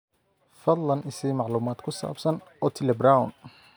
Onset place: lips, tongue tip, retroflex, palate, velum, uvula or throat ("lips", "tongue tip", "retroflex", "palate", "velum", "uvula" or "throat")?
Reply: lips